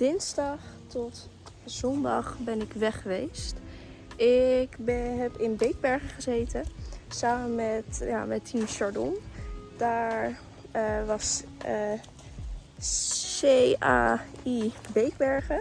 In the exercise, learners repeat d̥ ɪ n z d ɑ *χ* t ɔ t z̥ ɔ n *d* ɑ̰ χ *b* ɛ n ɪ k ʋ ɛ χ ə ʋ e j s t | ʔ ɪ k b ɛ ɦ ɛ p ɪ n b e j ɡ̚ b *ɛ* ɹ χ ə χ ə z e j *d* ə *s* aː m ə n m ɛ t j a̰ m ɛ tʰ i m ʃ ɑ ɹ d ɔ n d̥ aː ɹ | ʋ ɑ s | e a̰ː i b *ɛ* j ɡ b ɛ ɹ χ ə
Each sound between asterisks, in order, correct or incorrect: correct, correct, correct, correct, incorrect, correct, incorrect

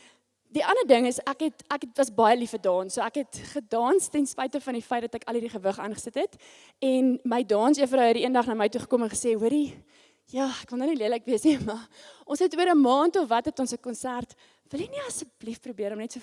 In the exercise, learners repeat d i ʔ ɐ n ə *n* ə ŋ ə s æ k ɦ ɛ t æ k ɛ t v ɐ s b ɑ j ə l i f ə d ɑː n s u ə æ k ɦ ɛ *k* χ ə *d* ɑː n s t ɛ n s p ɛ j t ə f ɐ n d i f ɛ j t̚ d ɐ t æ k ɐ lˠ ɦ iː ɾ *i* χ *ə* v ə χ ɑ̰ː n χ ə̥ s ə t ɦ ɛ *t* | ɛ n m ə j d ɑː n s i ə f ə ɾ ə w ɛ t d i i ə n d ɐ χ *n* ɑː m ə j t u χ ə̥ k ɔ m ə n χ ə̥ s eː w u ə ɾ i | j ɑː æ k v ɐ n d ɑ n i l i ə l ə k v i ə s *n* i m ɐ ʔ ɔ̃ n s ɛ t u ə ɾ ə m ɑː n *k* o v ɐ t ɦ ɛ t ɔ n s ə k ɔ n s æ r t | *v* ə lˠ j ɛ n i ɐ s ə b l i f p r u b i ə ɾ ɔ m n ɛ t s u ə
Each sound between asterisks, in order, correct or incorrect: incorrect, incorrect, correct, correct, correct, correct, correct, correct, incorrect, correct

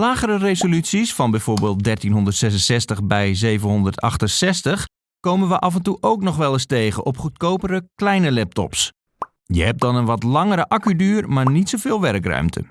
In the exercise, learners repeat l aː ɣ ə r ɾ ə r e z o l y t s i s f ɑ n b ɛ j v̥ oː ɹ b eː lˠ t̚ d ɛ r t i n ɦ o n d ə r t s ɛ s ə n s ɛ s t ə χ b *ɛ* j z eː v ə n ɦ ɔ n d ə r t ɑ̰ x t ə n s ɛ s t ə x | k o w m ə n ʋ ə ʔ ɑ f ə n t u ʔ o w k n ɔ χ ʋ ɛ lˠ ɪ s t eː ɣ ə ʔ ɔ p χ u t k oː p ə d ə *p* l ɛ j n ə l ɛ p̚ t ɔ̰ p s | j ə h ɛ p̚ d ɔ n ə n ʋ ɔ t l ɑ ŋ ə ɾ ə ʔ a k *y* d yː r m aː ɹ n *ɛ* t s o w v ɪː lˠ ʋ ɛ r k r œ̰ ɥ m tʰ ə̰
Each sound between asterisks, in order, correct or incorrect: correct, incorrect, correct, incorrect

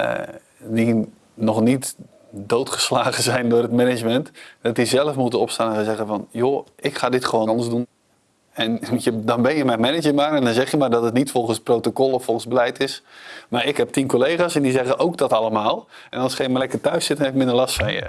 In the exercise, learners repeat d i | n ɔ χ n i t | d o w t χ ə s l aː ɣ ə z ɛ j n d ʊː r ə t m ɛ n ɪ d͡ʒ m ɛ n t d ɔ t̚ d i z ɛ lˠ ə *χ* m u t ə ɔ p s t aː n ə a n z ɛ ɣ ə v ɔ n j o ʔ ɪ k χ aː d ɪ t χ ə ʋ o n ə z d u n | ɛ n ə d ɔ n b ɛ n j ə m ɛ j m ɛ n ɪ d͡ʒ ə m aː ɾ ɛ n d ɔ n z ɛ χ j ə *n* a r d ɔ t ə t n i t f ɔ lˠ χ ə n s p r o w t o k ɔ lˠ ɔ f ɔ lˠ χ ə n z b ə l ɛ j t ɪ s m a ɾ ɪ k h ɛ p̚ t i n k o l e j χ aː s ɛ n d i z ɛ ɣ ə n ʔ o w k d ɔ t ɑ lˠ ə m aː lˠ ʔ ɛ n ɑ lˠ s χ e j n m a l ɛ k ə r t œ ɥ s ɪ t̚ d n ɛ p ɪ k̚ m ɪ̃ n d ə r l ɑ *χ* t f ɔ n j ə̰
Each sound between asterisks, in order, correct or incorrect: incorrect, incorrect, incorrect

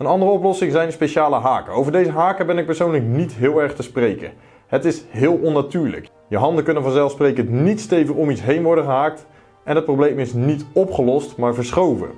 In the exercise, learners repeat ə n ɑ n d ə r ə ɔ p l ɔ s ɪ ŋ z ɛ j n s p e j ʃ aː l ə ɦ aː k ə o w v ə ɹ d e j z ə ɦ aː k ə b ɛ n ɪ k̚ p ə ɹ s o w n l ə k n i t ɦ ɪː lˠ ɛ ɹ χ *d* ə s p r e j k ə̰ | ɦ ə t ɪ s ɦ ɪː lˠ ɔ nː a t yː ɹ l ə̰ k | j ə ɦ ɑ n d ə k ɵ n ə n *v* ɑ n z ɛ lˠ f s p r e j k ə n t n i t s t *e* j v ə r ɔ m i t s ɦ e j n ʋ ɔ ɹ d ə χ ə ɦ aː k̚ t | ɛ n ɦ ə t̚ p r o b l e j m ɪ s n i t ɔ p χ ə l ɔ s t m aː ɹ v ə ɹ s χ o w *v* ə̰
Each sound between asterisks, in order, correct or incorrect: incorrect, correct, correct, correct

